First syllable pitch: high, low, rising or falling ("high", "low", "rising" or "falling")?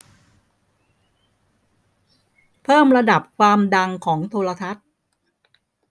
falling